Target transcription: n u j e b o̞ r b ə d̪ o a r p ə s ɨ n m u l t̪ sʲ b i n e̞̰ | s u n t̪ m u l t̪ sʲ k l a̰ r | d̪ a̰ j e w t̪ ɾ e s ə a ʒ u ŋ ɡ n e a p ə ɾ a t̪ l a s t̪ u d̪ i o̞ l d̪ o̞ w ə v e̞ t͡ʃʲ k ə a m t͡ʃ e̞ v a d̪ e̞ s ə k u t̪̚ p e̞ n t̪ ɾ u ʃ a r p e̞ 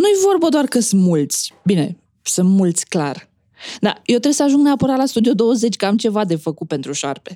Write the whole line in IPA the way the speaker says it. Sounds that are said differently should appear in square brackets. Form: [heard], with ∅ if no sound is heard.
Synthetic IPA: n u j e [v] o̞ r b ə d̪ o a r [k] ə s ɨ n m u l t̪ sʲ b i n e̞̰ | s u n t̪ m u l t̪ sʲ k l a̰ r | d̪ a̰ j e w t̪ ɾ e s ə a ʒ u ŋ ɡ n e a p ə ɾ a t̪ l a s t̪ u d̪ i o̞ [∅] d̪ o̞ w ə [z] e̞ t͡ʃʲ k ə a m t͡ʃ e̞ v a d̪ e̞ [f] ə k u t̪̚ p e̞ n t̪ ɾ u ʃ a r p e̞